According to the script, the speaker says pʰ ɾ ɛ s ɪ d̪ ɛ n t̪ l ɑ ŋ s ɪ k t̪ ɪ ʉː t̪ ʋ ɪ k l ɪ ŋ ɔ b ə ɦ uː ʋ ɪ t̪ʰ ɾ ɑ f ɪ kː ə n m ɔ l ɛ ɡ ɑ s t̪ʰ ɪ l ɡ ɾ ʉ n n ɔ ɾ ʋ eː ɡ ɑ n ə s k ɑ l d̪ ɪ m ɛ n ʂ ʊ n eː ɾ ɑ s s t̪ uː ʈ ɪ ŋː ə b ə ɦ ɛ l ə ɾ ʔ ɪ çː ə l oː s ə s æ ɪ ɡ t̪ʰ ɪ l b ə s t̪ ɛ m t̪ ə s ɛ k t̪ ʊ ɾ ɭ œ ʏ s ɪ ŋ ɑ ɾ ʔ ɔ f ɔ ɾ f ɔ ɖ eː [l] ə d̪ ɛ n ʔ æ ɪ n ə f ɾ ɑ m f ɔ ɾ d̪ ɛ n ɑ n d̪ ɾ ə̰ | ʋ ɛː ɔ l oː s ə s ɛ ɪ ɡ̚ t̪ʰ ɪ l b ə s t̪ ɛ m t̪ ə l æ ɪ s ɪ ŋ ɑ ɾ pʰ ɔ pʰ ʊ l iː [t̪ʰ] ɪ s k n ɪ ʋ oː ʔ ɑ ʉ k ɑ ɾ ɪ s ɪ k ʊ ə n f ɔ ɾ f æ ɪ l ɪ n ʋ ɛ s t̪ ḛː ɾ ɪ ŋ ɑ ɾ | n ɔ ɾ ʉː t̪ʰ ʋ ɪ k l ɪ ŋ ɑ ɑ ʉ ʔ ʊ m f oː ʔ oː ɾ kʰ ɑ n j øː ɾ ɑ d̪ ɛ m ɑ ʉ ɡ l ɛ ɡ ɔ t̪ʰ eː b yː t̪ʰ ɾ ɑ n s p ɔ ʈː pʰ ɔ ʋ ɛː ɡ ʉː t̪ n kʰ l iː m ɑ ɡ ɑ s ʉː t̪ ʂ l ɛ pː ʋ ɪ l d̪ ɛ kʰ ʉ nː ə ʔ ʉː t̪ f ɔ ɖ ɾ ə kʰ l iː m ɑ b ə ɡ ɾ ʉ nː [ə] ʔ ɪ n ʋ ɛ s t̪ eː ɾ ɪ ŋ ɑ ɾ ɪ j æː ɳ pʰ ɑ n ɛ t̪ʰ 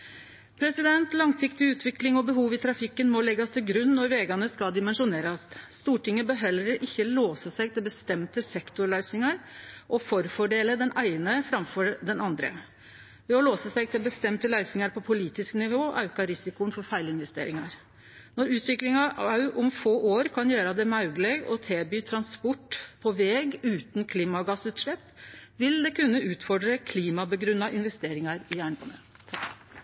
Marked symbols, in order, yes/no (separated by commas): yes, no, no